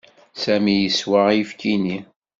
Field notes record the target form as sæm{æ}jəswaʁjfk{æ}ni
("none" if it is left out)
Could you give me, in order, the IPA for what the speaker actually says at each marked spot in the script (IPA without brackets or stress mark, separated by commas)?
i, i